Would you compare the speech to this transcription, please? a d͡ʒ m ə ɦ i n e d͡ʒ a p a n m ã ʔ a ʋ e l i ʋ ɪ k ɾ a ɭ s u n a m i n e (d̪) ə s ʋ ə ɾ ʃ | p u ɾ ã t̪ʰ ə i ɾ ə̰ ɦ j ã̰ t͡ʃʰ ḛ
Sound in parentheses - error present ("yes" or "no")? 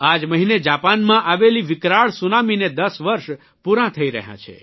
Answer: no